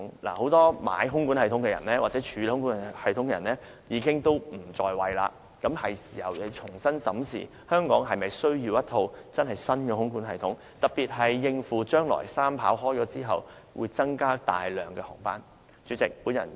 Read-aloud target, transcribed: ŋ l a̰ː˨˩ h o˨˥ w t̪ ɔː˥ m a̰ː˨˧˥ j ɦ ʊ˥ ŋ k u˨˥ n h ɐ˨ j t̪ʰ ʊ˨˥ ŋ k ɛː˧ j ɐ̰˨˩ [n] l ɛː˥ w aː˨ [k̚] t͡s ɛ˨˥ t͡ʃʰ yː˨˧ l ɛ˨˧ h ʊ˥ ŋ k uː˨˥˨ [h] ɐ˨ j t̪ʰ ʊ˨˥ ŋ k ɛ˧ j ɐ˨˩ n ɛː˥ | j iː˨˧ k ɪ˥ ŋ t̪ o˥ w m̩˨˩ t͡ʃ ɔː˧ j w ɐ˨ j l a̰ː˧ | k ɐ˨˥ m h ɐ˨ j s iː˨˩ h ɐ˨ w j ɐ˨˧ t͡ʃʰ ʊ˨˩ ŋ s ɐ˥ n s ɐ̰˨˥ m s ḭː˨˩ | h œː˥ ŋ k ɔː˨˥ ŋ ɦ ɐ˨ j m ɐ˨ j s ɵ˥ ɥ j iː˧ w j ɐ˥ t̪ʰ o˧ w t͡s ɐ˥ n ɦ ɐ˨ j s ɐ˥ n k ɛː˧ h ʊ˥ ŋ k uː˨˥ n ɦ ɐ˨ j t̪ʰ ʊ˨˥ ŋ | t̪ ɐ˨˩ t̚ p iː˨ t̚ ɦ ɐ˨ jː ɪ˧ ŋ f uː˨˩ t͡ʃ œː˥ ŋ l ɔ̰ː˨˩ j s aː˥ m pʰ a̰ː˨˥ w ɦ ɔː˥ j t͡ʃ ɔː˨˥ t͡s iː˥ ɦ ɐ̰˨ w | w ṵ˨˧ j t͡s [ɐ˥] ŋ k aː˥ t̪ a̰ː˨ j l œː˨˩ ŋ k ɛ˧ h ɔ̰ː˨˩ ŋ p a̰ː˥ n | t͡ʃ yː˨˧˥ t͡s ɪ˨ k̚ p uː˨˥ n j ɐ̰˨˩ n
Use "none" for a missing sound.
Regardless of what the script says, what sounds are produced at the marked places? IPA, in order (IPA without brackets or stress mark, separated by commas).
n, t̚, h, ɐ˥